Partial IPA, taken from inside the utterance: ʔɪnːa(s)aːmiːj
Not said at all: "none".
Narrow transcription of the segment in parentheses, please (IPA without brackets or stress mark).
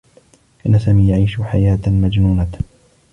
s